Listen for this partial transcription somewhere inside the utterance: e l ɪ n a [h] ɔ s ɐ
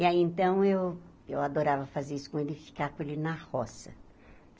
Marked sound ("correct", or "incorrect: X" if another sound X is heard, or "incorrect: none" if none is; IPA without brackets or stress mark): correct